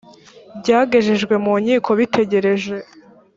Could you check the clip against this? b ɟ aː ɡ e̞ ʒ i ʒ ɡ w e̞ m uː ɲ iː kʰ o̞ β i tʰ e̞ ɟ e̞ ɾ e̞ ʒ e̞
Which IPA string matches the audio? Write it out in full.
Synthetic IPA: b ɟ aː ɡ e̞ ʒ e ʒ ɡ w e̞ m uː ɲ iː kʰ o̞ β i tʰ e̞ ɟ e̞ ɾ e̞ ʒ e̞

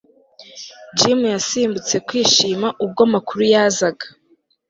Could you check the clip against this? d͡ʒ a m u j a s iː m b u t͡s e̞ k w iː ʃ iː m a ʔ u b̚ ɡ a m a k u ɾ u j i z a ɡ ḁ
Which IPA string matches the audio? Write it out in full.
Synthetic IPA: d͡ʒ i m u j a s iː m b u t͡s e̞ k w iː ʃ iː m a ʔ u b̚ ɡ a m a k u ɾ u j a z a ɡ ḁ

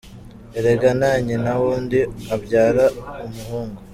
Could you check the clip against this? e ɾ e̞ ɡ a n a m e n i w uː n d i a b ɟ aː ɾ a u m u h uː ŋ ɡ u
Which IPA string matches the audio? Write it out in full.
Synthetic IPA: e ɾ e̞ ɡ a n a ɲ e n a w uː n d i a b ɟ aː ɾ a u m u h uː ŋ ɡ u

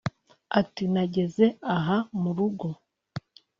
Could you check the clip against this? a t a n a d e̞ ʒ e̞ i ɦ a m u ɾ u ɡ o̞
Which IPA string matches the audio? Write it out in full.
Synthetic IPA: a t i n a ɟ e̞ z e̞ a ɦ a m u ɾ u ɡ o̞

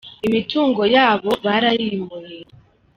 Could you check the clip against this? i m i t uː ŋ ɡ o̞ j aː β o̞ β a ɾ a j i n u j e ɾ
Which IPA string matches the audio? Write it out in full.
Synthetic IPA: i m i t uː ŋ ɡ o̞ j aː β o̞ β a ɾ a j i m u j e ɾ

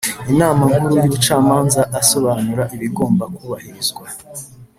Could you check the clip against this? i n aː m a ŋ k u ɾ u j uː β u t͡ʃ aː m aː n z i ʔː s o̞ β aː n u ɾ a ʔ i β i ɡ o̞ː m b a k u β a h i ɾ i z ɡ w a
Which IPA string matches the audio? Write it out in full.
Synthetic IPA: i n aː m a ŋ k u ɾ u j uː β u t͡ʃ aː m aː n z a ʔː s o̞ β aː n u ɾ a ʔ i β i ɡ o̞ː m b a k u β a h i ɾ i z ɡ w a

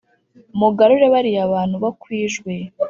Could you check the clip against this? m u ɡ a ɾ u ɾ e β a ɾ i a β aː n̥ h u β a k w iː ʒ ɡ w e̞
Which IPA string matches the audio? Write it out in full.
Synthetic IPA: m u ɡ a ɾ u ɾ e β a ɾ i a β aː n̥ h u β a k w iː ʒ ɡ w e̞

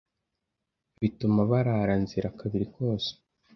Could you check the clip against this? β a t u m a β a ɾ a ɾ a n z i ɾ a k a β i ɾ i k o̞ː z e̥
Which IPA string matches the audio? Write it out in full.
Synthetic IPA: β i t u m a β a ɾ a ɾ a n z i ɾ a k a β i ɾ i k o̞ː s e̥

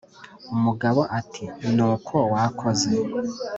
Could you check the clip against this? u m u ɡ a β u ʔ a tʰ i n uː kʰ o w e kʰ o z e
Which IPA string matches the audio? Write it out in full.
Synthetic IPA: u m u ɡ a β o ʔ a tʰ i n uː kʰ o w a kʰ o z e

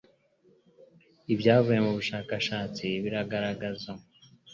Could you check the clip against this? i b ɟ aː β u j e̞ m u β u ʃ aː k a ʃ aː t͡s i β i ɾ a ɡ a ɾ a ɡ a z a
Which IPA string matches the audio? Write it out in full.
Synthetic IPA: i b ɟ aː v u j e̞ m u β u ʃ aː k a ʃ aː t͡s i β i ɾ a ɡ a ɾ a ɡ a z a

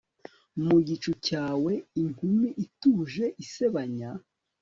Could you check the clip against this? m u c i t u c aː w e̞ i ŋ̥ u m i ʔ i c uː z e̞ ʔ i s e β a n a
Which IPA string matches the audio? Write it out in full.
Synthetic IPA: m u ɟ i t͡ʃ u c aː w e̞ i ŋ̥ u m i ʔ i t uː ʒ e̞ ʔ i s e β a ɲ a

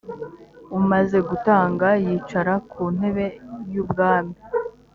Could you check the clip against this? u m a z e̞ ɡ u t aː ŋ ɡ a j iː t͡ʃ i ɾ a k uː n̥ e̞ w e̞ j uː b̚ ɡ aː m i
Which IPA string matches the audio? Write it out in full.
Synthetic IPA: u m a z e̞ ɡ u t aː ŋ ɡ a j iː t͡ʃ a ɾ a k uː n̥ e̞ β e̞ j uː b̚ ɡ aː m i

